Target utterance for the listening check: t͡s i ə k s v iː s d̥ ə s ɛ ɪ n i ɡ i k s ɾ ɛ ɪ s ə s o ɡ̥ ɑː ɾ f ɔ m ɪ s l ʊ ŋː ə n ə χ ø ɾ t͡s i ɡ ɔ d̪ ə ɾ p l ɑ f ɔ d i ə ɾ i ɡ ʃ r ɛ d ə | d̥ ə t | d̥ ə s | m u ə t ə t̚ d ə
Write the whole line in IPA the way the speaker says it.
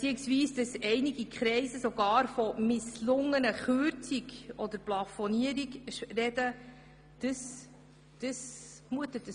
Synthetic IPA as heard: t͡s i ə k s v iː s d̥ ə s ɛ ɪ n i ɡ i k χ ɾ ɛ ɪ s ə s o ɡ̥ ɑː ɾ f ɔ m ɪ s l ʊ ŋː ə n ə χ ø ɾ t͡s i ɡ ɔ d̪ ə ɾ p l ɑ f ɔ n i ə ɾ i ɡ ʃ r ɛ d ə | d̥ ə s | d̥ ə s | m u ə t ə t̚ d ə